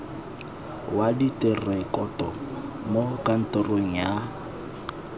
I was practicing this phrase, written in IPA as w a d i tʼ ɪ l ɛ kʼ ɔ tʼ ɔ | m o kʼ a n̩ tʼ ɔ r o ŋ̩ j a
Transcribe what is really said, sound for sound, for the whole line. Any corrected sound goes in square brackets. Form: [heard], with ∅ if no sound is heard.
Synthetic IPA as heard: w a d i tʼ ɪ [r] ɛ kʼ ɔ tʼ ɔ | m o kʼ a n̩ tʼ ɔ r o ŋ̩ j a